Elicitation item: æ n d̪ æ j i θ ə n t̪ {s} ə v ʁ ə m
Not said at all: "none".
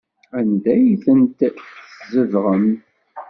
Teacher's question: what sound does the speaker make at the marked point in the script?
z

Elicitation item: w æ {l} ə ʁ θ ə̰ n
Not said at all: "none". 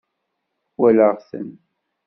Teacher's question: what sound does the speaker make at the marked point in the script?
l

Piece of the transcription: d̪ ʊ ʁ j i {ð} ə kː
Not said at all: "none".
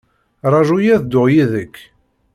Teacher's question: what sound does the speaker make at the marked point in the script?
ð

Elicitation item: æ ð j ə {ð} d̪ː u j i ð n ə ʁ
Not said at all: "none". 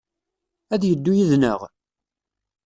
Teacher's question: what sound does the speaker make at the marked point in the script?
none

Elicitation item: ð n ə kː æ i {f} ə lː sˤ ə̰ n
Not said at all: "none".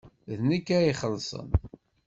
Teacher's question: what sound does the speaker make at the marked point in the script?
χ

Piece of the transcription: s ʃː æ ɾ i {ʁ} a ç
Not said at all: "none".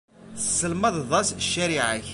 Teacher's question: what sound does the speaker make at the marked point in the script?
ʕ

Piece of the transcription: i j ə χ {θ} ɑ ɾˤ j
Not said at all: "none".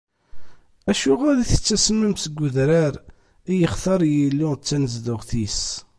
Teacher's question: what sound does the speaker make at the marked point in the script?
θ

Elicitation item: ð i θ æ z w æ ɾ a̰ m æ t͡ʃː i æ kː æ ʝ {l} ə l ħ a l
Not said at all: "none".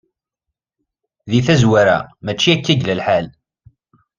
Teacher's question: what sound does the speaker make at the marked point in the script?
l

